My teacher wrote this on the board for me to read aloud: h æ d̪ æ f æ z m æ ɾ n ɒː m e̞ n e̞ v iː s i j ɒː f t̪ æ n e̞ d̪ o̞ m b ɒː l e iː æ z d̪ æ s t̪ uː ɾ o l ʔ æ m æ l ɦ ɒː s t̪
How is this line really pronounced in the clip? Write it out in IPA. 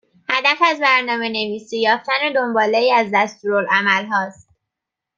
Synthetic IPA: h æ d̪ æ f æ z b æ ɾ n ɒː m e̞ n e̞ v iː s i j ɒː f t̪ æ n e̞ d̪ o̞ m b ɒː l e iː æ z d̪ æ s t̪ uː ɾ o l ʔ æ m æ l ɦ ɒː s t̪